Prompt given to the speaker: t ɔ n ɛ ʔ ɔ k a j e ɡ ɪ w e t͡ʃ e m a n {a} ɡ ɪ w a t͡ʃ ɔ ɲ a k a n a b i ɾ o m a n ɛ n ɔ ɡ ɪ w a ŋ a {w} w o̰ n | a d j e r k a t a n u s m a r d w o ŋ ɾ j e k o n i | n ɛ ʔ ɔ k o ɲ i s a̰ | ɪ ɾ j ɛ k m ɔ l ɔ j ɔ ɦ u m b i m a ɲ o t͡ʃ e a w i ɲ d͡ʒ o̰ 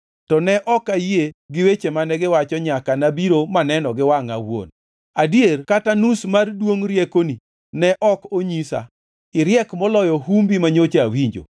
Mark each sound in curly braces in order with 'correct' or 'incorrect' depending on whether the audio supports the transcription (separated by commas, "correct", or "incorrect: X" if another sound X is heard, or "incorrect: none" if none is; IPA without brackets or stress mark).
incorrect: ɛ, correct